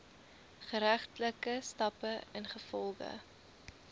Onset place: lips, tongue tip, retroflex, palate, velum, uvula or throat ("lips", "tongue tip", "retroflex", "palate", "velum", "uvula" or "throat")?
uvula